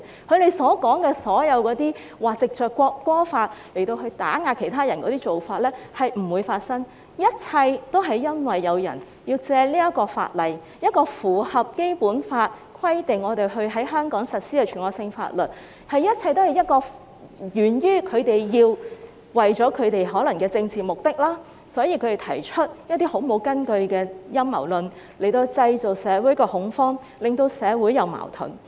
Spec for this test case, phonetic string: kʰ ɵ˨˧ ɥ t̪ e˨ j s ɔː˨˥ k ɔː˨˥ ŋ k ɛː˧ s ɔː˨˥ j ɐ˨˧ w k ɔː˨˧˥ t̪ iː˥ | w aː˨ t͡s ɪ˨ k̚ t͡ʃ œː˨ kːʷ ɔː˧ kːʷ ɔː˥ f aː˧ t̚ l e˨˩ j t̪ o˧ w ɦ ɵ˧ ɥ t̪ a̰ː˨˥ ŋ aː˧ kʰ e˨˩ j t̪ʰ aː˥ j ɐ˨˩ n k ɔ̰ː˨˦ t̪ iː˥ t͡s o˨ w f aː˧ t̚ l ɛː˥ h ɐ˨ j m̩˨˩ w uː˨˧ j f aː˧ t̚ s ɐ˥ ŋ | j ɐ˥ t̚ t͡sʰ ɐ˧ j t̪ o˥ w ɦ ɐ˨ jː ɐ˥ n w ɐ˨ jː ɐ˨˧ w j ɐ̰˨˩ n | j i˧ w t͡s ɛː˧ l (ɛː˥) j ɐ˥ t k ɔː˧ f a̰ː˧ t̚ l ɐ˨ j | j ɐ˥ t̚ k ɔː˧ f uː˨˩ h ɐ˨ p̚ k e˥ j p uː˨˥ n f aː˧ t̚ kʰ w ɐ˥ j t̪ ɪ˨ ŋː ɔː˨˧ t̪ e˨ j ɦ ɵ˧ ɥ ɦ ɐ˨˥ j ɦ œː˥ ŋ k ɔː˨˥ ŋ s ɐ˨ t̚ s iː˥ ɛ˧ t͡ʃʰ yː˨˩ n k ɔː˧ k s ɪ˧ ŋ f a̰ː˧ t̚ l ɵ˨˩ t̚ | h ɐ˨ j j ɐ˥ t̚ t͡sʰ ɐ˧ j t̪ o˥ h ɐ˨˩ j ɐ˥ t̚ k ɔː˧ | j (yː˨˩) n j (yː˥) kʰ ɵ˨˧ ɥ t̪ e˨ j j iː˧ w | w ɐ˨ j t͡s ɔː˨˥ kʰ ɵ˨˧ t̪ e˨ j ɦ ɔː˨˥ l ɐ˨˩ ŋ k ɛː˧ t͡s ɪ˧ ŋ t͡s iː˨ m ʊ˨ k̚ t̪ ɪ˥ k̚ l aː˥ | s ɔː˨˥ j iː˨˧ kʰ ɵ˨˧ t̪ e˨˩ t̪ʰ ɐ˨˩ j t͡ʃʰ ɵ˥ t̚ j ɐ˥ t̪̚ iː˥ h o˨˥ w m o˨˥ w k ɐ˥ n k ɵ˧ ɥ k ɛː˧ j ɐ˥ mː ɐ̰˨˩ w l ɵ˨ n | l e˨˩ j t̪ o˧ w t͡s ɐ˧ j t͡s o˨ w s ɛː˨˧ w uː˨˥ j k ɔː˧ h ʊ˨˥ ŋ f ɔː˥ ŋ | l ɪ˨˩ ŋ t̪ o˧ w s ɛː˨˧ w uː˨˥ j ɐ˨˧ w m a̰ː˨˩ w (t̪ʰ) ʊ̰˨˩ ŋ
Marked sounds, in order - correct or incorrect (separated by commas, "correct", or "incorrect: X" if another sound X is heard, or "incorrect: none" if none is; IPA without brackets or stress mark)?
incorrect: iː˥, correct, correct, correct